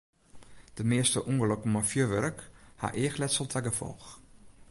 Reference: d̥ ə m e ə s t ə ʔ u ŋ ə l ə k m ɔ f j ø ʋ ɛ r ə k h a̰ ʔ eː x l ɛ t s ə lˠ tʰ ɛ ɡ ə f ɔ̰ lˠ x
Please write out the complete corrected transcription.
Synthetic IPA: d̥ ə m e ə s t ə ʔ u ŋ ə l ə k m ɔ f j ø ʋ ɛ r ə k h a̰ ʔ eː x l ɛ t s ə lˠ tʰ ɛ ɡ ə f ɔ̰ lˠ x